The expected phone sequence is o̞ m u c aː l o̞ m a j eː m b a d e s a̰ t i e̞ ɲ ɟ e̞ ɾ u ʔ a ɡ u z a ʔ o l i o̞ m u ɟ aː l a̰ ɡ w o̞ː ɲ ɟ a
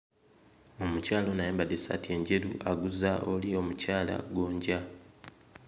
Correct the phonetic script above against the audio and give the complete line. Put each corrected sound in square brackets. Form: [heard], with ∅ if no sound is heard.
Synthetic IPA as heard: o̞ m u c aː l o̞ [n] a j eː m b a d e s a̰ t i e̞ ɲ ɟ e̞ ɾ u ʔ a ɡ u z a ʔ o l i o̞ m u [c] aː l a̰ ɡ w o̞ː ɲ ɟ a